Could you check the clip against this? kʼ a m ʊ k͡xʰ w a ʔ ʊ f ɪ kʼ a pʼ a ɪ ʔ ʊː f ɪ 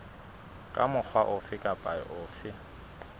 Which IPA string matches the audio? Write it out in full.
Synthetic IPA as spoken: kʼ a m ʊ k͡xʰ w a ʔ ʊ f ɪ kʼ a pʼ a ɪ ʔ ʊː f ɪ